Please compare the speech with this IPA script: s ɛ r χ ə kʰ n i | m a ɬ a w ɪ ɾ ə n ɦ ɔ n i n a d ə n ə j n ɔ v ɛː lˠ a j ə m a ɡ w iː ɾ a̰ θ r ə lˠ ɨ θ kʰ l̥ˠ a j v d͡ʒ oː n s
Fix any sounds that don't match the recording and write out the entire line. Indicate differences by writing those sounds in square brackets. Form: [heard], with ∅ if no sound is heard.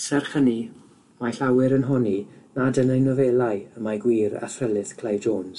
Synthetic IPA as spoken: s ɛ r χ ə [∅] n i | m a ɬ a w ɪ ɾ ə n ɦ ɔ n i n a d ə n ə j n ɔ v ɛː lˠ a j ə m a ɡ w iː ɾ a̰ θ r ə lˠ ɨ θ kʰ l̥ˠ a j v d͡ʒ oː n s

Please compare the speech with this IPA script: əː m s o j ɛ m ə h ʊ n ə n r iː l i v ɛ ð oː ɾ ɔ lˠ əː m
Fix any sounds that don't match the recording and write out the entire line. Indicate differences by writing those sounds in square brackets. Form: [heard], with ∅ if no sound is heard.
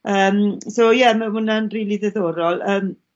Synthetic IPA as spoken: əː m s o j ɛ m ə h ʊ n [a] n r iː l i [ð] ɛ ð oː ɾ ɔ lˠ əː m

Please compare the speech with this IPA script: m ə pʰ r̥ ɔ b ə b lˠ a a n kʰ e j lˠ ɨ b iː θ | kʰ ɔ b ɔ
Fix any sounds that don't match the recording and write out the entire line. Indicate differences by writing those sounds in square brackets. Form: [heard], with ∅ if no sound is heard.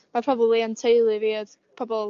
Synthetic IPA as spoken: m [a] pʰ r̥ ɔ b ə b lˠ [i] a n [tʰ] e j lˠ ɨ [v] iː [ð] | [pʰ] ɔ b ɔ

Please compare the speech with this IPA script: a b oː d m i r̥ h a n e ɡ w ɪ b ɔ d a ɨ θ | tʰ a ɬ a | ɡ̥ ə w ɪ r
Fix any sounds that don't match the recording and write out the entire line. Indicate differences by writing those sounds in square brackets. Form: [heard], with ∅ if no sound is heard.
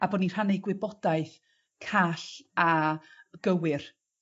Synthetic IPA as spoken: a b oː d [n] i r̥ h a n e ɡ w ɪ b ɔ d a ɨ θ | [kʰ] a ɬ a | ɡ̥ ə w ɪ r

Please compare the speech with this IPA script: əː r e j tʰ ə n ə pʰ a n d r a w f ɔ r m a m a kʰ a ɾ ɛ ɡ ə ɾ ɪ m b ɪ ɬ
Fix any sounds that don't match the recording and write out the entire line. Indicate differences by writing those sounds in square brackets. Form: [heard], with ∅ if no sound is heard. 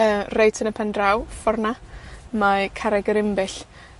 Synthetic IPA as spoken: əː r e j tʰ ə n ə pʰ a n d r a w f ɔ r [n] a m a kʰ a ɾ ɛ ɡ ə ɾ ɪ m b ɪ ɬ

